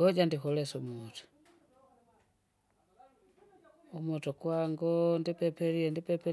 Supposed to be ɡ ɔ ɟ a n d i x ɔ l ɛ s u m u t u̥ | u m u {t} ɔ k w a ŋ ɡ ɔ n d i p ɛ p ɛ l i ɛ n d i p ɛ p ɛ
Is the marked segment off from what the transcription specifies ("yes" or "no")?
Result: no